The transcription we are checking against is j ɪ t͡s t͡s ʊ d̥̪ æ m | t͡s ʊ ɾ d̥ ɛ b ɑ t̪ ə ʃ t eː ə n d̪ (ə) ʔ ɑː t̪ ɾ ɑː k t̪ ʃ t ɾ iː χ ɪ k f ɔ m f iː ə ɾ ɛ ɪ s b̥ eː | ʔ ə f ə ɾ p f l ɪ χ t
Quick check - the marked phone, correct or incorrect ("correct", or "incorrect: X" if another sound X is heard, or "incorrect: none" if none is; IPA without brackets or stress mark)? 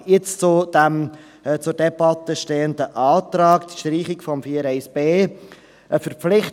correct